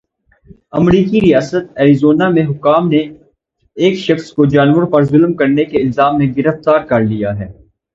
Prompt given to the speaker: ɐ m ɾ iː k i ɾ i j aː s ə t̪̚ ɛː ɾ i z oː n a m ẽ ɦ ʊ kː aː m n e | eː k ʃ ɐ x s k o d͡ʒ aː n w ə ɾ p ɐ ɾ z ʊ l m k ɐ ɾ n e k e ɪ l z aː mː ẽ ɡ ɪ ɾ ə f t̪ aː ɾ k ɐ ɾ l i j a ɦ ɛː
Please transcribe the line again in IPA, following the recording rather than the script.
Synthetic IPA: ɐ m ɾ iː k i ɾ i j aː s ə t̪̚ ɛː ɾ i z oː n a m ẽ ɦ ʊ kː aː m n e | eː k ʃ ɐ x s k o d͡ʒ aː n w ə ɾ p ɐ ɾ z ʊ l m k ɐ ɾ n e k e ɪ l z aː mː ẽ ɡ ɪ ɾ ə f t̪ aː ɾ k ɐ ɾ l i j a ɦ ɛː

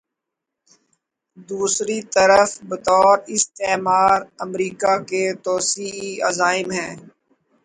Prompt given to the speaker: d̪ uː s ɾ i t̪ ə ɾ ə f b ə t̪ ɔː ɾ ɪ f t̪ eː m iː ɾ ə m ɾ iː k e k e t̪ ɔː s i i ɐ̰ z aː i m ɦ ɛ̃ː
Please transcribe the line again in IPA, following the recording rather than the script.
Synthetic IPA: d̪ uː s ɾ i t̪ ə ɾ ə f b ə t̪ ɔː ɾ ɪ s t̪ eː m aː ɾ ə m ɾ iː k a k e t̪ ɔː s i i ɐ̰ z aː ɪ m ɦ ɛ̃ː

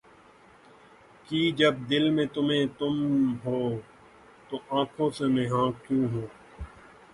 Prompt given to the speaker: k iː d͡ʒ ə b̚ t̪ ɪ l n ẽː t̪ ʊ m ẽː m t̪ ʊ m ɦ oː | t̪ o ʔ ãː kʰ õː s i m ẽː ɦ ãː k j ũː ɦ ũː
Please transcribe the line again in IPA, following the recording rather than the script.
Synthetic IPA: k iː d͡ʒ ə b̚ d̪ ɪ l m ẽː t̪ ʊ m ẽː t̪ ʊ m ɦ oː | t̪ o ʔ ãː kʰ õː s e m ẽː ɦ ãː k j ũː ɦ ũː

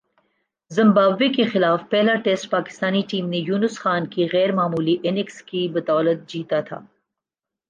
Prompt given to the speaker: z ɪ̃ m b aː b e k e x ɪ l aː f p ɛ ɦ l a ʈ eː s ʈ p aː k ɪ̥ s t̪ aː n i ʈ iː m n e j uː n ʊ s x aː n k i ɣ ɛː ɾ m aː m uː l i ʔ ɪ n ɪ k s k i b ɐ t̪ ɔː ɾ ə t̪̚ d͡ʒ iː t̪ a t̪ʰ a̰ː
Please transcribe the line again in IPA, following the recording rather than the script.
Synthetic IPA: z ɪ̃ m b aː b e k e x ɪ l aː f p ɛ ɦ l a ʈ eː s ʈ p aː k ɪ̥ s t̪ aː n i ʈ iː m n e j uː n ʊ s x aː n k i ɣ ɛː ɾ m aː m uː l i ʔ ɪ n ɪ k s k i b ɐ t̪ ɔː l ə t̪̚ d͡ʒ iː t̪ a t̪ʰ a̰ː

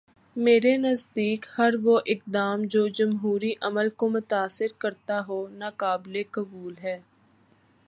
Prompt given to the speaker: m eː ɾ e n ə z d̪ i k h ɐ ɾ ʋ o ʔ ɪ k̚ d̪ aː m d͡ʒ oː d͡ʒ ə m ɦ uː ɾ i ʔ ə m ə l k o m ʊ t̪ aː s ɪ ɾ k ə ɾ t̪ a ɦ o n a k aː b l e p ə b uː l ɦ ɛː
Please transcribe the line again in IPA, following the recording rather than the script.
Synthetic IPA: m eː ɾ e n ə z d̪ iː k h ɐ ɾ ʋ o ʔ ɪ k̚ d̪ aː m d͡ʒ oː d͡ʒ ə m ɦ uː ɾ i ʔ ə m ə l k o m ʊ t̪ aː s ɪ ɾ k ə ɾ t̪ a ɦ o n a k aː b l e k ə b uː l ɦ ɛː

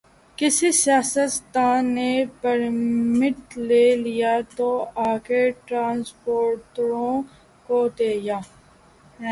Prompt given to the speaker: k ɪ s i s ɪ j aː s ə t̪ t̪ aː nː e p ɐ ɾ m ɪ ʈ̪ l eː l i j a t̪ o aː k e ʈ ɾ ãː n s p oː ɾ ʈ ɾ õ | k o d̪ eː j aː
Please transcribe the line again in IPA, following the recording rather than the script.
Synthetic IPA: k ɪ s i s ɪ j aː s ə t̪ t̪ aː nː e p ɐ ɾ m ɪ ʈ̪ l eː l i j a t̪ o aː k e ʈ ɾ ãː n s p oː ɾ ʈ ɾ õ | k o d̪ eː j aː

